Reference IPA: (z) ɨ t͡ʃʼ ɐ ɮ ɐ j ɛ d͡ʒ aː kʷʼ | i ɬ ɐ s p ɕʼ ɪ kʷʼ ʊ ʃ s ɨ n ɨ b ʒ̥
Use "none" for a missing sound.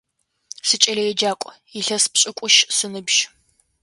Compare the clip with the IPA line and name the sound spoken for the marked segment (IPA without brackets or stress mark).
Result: s